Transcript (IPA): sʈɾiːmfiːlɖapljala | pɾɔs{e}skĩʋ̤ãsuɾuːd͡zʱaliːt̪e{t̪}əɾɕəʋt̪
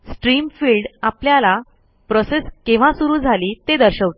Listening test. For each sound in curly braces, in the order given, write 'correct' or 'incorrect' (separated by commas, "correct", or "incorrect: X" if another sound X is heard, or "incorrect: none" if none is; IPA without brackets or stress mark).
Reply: correct, incorrect: d̪